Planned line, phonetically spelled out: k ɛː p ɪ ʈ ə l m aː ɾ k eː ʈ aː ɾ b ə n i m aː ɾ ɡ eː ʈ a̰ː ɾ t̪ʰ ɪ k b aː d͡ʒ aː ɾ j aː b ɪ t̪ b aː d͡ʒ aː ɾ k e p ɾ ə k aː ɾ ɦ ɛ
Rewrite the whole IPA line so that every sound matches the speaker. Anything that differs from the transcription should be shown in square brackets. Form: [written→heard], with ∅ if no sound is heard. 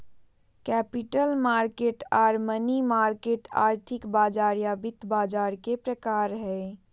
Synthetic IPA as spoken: k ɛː p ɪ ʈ ə l m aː ɾ k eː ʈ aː ɾ [b→m] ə n i m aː ɾ [ɡ→k] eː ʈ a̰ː ɾ t̪ʰ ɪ k b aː d͡ʒ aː ɾ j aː b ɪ t̪ b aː d͡ʒ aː ɾ k e p ɾ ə k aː ɾ ɦ ɛ